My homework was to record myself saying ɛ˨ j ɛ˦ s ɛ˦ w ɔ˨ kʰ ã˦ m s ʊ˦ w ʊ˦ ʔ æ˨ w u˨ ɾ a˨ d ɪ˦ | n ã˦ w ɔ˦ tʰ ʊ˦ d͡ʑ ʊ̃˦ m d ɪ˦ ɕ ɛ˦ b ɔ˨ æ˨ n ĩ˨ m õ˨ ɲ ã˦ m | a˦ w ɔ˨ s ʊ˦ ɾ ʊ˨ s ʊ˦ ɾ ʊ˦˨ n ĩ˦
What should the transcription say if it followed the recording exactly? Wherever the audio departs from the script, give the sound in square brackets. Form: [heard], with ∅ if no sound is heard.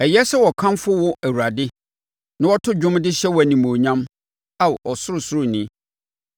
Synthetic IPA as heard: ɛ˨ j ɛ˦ s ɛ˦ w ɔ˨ kʰ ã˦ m [f] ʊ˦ w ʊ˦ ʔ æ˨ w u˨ ɾ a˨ d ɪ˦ | n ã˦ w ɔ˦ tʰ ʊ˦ d͡ʑ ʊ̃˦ m d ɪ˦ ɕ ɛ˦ [w] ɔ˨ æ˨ n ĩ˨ m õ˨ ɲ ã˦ m | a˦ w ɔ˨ s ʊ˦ ɾ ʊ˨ s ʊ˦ ɾ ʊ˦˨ n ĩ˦